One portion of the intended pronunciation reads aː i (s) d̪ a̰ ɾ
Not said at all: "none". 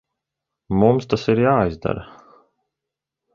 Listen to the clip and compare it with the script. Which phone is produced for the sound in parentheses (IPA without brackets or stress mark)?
z